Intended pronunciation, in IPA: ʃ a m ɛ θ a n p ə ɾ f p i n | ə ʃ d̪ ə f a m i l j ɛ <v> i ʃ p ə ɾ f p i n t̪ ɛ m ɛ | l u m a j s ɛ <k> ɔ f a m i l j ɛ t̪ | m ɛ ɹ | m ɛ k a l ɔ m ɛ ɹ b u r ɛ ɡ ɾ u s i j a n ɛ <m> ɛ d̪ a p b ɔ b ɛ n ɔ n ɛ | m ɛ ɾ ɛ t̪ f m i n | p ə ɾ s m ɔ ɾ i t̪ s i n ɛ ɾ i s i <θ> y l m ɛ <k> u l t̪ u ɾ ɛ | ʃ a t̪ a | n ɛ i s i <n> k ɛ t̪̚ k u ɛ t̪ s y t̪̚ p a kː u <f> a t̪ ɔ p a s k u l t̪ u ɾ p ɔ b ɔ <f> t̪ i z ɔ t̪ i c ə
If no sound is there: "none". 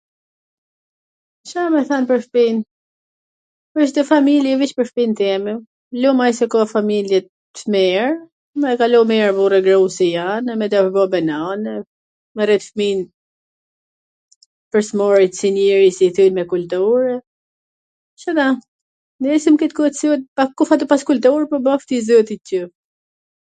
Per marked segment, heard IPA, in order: v, k, m, θ, k, m, f, f

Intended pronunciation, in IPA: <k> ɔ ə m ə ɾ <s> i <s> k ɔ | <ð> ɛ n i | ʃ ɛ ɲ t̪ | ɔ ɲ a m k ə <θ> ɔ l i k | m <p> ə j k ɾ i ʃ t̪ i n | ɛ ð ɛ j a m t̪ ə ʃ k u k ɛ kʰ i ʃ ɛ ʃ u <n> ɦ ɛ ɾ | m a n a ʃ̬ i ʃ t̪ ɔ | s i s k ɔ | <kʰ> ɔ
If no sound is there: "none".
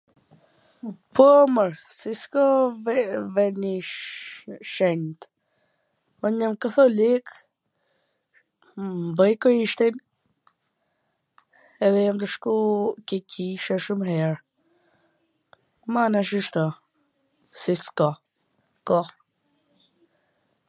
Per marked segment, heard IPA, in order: p, s, s, v, θ, b, m, k

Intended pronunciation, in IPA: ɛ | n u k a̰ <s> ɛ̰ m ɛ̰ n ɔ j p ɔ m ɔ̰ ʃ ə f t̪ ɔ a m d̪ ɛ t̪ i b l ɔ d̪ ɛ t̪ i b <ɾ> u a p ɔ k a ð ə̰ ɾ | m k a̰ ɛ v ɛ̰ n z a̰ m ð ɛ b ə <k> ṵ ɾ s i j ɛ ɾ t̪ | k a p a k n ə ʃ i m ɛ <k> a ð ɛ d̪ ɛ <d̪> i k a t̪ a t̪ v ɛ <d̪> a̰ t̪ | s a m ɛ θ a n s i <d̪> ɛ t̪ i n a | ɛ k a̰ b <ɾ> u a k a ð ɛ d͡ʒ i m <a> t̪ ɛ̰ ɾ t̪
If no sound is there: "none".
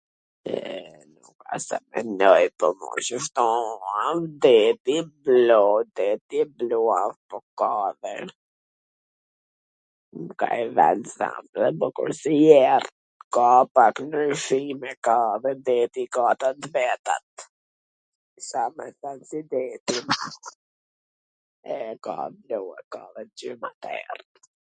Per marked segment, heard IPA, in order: s, l, k, k, t̪, t̪, d̪, l, a

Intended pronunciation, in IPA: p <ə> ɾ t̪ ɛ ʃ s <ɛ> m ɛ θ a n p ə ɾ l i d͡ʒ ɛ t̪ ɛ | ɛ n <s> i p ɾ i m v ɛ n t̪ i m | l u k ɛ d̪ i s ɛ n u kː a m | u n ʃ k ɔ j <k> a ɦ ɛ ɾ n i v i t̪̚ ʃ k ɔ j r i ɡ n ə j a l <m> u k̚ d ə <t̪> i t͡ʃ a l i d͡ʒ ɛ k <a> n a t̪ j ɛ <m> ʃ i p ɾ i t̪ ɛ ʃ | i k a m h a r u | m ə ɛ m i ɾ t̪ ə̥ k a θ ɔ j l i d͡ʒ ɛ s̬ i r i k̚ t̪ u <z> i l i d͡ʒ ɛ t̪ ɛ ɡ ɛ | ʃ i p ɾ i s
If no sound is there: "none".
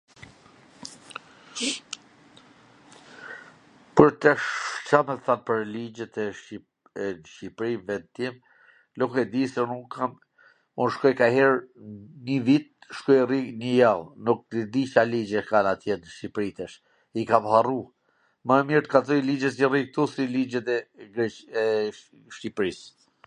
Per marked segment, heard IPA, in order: ə, a, ʃ, k, n, d̪, a, n, s

